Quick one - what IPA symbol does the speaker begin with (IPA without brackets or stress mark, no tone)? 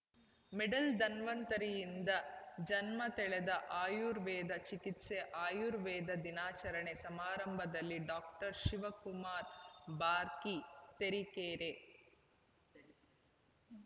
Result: m